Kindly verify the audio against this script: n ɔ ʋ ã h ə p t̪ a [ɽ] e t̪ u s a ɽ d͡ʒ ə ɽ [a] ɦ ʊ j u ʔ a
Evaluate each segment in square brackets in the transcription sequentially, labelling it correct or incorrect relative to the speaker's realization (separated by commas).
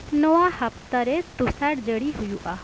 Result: incorrect, incorrect